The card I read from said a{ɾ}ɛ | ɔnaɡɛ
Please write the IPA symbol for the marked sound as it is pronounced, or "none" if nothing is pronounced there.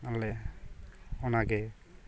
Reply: l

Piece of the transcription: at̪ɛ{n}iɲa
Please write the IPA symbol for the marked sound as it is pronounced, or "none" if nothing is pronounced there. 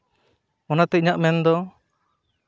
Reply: none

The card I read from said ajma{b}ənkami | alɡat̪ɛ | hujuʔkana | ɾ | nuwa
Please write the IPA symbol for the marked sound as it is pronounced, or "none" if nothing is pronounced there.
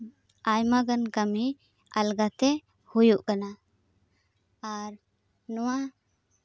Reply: ɡ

